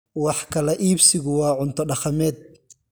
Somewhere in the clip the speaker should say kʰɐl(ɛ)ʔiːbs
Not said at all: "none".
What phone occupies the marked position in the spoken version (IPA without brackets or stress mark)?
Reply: ɛ